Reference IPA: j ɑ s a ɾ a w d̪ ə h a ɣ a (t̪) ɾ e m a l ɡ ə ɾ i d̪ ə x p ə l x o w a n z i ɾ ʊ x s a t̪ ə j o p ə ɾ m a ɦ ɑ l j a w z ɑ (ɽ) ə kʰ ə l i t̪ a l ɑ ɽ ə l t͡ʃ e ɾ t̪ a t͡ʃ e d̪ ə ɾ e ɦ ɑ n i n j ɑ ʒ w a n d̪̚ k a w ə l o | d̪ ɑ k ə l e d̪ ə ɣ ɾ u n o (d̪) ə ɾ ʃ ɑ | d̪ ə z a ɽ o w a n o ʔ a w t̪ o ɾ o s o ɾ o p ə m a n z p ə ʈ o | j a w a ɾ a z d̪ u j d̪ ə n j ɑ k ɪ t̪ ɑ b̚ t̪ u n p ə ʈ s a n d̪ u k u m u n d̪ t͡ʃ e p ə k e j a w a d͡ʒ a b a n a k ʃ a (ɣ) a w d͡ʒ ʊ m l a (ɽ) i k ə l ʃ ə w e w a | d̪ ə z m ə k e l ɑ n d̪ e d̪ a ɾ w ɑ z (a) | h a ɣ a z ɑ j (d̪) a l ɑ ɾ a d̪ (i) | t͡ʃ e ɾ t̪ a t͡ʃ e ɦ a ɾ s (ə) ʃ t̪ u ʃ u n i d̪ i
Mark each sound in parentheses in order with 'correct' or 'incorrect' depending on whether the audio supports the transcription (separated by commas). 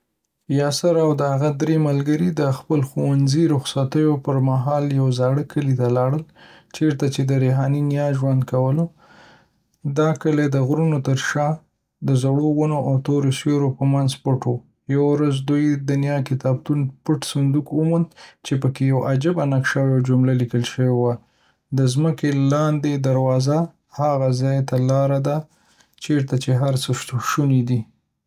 incorrect, correct, incorrect, incorrect, incorrect, correct, incorrect, incorrect, correct